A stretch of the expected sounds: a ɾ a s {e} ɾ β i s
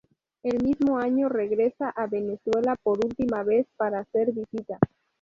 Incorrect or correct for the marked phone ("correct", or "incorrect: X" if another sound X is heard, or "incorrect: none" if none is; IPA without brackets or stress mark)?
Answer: correct